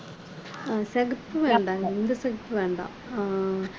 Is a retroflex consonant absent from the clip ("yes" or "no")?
no